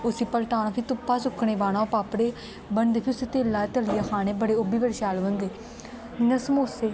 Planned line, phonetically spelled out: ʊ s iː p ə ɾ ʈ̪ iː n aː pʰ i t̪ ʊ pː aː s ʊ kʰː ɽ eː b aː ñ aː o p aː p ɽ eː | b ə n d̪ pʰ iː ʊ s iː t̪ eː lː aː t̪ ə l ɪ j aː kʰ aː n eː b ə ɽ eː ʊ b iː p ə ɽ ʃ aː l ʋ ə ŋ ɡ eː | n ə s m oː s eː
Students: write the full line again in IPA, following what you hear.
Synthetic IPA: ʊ s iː p ə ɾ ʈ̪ aː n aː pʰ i t̪ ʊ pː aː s ʊ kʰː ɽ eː b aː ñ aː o p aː p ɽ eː | b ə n d̪ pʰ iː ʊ s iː t̪ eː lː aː t̪ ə l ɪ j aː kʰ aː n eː b ə ɽ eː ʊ b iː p ə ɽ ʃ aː l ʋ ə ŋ ɡ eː | n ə s m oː s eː